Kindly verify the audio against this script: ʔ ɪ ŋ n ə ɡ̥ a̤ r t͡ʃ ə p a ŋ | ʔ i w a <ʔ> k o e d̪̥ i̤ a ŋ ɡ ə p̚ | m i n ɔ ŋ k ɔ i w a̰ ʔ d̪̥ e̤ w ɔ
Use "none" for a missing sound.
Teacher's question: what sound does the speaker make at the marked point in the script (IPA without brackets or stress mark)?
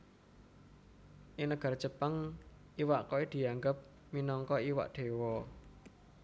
ʔ